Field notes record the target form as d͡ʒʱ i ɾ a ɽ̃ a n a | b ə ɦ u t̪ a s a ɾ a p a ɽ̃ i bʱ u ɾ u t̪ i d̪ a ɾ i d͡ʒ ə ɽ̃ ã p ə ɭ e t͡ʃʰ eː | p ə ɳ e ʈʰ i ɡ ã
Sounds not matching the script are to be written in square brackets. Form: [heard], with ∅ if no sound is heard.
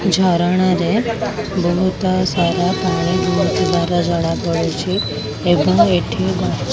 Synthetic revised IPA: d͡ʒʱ [a] ɾ a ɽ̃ a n [e] | b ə ɦ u t̪ a s a ɾ a p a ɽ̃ i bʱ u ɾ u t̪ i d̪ a ɾ [a] d͡ʒ ə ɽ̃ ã p ə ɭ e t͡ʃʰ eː | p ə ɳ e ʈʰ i ɡ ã